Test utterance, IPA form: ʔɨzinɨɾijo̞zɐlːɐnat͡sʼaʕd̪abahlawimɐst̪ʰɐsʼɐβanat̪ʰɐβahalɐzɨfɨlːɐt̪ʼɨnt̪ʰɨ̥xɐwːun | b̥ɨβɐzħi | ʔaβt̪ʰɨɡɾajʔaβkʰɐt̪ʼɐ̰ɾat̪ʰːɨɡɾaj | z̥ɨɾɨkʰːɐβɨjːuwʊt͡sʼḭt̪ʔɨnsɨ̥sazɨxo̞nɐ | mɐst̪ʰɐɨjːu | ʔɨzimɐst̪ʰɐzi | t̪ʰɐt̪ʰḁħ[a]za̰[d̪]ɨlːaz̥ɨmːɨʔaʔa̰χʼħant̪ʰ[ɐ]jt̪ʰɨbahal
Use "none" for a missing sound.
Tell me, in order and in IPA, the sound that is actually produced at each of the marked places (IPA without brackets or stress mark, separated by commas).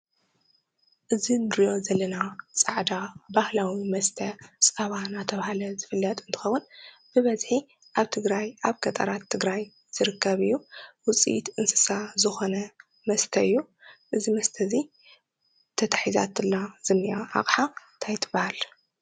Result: i, t̪, a